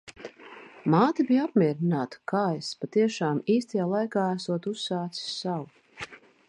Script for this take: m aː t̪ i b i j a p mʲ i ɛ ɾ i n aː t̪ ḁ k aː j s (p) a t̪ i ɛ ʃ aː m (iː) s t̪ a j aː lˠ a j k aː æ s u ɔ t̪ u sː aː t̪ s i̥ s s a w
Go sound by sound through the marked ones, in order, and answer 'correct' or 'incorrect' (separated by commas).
correct, correct